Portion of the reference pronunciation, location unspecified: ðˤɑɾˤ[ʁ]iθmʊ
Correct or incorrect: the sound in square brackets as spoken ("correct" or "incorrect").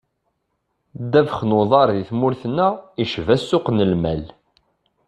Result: incorrect